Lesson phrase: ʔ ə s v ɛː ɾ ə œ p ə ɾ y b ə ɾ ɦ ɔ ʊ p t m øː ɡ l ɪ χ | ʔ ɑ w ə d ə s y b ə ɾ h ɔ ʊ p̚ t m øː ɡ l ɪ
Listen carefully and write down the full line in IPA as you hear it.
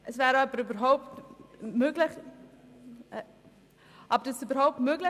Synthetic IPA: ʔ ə s v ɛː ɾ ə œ p ə ɾ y b ə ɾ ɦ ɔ ʊ p t m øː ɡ l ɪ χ | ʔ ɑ b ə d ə s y b ə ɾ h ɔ ʊ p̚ t m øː ɡ l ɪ